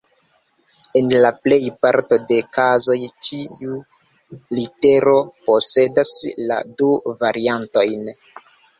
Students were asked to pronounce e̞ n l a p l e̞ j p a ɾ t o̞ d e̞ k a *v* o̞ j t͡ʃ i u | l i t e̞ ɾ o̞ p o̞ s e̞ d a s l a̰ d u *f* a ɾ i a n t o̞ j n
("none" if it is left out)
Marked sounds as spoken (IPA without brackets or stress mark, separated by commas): z, v